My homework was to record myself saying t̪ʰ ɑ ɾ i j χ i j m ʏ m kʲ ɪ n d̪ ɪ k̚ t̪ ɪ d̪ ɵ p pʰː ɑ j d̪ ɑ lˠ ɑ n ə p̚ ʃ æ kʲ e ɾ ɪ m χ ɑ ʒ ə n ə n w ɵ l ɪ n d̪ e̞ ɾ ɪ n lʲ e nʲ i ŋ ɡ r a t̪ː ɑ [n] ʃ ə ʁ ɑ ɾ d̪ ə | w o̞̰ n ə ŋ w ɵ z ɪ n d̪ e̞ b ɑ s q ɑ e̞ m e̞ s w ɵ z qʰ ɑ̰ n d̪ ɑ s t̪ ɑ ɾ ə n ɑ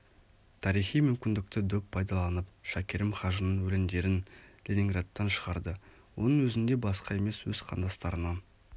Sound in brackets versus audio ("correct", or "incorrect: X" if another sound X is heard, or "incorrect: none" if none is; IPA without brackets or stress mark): correct